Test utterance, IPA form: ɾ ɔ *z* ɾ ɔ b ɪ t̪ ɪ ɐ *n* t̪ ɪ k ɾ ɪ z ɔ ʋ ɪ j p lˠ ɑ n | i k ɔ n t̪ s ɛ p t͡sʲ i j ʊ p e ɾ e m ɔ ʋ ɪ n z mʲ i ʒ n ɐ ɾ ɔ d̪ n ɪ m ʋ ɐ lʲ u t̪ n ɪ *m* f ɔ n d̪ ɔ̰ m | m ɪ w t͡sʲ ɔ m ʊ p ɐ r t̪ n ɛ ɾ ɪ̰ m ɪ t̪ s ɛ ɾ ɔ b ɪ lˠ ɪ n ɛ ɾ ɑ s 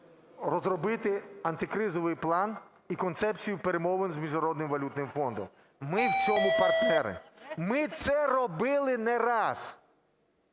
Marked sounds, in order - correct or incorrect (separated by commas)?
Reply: correct, correct, correct